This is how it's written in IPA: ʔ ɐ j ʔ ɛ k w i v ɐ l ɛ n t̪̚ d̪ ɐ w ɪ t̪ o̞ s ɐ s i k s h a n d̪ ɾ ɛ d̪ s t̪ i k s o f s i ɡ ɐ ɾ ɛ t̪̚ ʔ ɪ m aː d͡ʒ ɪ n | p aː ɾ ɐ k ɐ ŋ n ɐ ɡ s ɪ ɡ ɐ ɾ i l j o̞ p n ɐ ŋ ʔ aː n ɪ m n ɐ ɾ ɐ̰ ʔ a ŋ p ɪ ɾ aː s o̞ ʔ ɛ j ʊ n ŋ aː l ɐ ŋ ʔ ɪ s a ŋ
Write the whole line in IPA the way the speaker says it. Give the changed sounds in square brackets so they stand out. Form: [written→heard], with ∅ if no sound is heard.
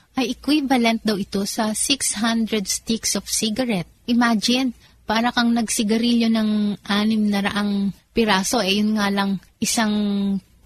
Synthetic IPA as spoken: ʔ ɐ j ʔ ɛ k w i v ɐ l ɛ n t̪̚ d̪ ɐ w ɪ t̪ o̞ s ɐ s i k s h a n d̪ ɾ ɛ d̪ s t̪ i k s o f s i ɡ ɐ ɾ ɛ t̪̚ ʔ ɪ m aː d͡ʒ ɪ n | p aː ɾ ɐ k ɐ ŋ n ɐ ɡ s ɪ ɡ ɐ ɾ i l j o̞ [p→∅] n ɐ ŋ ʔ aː n ɪ m n ɐ ɾ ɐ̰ ʔ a ŋ p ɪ ɾ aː s o̞ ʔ ɛ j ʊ n ŋ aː l ɐ ŋ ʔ ɪ s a ŋ